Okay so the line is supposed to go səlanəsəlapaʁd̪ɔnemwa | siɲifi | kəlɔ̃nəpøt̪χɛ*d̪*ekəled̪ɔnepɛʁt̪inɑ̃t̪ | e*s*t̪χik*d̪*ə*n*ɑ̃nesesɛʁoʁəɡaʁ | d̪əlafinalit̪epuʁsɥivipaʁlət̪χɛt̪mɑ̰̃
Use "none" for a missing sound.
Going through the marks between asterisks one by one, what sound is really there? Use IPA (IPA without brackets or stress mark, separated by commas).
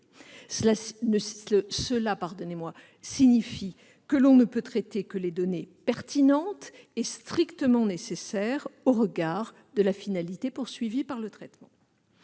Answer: t̪, s, t̪, m